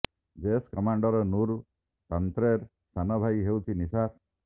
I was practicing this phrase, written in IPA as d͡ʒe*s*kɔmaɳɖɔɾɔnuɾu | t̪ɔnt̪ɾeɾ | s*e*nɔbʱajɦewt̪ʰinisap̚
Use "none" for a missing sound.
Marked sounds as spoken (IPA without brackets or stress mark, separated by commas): s, a